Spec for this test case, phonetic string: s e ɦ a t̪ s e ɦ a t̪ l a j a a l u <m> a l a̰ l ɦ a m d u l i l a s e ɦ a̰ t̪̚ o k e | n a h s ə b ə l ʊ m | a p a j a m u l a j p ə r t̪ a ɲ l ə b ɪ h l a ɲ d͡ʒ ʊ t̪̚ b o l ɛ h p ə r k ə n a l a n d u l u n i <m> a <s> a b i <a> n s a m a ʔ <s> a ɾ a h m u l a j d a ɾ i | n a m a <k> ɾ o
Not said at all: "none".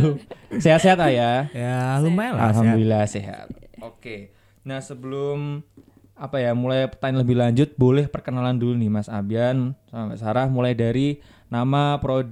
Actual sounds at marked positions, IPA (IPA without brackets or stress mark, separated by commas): m, m, s, a, s, p